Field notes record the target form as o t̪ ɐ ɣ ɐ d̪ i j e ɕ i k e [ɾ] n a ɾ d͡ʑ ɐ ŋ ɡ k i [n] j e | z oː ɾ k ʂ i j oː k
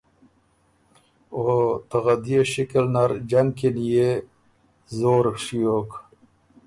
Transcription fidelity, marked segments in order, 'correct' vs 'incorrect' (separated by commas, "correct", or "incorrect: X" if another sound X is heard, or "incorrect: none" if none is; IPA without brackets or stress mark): incorrect: l, correct